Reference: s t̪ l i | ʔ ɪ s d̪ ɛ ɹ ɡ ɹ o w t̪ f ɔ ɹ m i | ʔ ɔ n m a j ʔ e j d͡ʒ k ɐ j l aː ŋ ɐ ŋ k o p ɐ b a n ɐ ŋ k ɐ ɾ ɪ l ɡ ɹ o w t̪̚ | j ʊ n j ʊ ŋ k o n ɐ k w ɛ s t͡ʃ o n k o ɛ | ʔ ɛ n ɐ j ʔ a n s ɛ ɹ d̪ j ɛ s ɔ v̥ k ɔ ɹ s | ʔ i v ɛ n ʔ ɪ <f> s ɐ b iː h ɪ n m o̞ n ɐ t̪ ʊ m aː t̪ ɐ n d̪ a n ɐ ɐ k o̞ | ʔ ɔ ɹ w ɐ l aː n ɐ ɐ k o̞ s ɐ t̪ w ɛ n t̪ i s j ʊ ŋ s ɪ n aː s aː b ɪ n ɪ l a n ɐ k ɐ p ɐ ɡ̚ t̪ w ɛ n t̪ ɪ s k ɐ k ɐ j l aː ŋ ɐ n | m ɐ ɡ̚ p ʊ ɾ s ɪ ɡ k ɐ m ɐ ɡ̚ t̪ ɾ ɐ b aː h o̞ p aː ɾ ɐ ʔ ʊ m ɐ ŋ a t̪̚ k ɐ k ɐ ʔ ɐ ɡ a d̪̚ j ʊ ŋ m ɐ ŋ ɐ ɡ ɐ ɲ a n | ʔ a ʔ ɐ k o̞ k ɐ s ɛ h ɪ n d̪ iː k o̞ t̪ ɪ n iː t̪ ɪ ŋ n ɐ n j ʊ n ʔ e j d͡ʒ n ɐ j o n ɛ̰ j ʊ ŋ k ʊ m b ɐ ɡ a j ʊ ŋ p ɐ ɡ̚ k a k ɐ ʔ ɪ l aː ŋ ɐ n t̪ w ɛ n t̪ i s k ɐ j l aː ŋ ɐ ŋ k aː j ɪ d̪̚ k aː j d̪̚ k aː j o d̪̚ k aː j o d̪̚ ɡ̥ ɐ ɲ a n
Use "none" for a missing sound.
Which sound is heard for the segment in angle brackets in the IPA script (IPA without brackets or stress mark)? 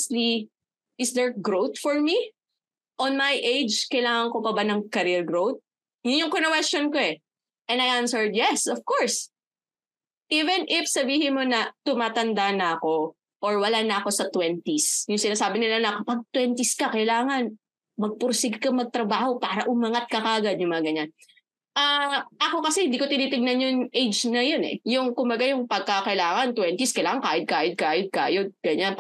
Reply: f